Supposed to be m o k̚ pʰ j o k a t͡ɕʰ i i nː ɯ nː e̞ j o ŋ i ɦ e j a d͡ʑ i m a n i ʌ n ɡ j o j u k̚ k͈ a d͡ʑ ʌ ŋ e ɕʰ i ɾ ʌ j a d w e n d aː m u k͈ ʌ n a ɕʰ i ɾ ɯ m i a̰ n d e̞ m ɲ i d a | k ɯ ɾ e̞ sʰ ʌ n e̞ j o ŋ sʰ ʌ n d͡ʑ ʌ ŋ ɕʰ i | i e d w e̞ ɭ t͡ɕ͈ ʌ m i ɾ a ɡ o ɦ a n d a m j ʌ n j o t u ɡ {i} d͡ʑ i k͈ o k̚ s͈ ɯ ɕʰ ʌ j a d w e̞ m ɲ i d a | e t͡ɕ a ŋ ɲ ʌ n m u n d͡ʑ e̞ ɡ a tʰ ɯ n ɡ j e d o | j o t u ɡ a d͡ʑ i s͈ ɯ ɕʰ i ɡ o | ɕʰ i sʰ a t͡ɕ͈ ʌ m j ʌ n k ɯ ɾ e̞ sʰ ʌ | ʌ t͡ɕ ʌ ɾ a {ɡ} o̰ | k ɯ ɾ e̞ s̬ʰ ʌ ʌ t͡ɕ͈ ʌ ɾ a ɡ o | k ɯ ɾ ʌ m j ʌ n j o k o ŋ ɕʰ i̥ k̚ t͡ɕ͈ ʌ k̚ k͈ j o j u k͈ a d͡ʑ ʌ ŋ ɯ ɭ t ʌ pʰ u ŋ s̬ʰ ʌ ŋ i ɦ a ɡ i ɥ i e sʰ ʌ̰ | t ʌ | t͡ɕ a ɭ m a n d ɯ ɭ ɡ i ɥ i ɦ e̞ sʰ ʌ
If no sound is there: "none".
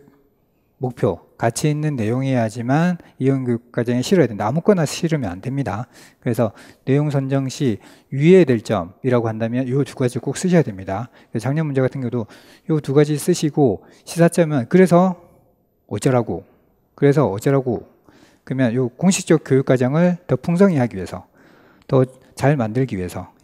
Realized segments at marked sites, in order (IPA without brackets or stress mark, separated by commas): a, ɡ